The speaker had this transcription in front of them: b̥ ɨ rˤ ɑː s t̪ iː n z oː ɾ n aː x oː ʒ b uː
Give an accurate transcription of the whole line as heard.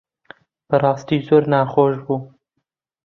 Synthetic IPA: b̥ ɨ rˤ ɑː s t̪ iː z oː ɾ n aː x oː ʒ b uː